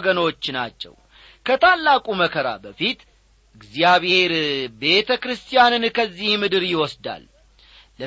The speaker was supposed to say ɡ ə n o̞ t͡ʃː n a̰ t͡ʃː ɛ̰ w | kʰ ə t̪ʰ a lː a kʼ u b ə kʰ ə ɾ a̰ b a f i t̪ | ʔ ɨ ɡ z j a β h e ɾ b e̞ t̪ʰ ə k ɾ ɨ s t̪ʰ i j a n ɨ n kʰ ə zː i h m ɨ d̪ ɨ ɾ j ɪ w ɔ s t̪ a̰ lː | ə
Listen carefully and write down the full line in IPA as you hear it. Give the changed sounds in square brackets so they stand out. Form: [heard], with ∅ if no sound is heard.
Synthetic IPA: ɡ ə n o̞ t͡ʃː n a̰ t͡ʃː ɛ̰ w | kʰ ə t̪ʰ a lː a kʼ u [m] ə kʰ ə ɾ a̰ b [ə] f i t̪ | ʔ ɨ ɡ z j a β h e ɾ b e̞ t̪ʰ ə k ɾ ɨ s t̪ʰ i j a n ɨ n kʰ ə zː i h m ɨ d̪ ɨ ɾ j ɪ w ɔ s [d̪] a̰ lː | ə